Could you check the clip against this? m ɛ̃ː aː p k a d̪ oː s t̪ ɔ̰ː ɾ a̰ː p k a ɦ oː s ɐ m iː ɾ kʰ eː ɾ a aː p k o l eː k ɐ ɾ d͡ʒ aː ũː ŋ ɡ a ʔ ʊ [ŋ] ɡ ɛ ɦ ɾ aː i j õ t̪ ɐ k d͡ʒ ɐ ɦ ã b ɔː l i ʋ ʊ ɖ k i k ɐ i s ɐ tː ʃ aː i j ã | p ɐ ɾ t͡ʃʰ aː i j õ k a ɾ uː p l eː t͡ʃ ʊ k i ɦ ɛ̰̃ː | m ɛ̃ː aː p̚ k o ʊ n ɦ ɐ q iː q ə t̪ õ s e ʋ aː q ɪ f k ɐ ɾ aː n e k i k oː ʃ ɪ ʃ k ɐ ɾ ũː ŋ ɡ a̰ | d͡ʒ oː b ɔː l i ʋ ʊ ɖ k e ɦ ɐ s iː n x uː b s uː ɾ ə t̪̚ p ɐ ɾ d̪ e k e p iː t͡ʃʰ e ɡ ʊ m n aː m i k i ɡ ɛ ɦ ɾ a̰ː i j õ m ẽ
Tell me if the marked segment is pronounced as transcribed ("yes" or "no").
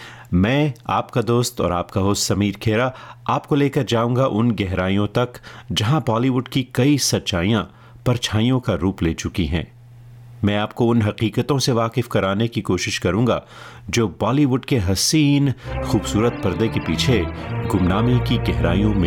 no